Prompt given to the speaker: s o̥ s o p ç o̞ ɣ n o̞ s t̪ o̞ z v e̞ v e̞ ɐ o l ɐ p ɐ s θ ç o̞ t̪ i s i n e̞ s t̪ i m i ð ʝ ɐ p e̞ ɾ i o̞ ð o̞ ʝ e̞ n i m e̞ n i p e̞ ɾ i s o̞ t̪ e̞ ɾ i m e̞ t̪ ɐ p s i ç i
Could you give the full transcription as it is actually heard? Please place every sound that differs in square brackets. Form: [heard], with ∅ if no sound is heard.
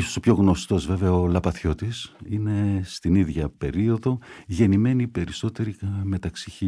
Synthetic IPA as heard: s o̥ s o p ç o̞ ɣ n o̞ s t̪ o̞ z v e̞ v e̞ ɐ o l ɐ p ɐ [∅] θ ç o̞ t̪ i s i n e̞ s t̪ i [n] i ð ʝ ɐ p e̞ ɾ i o̞ ð o̞ ʝ e̞ n i m e̞ n i p e̞ ɾ i s o̞ t̪ e̞ ɾ i m e̞ t̪ ɐ [k] s i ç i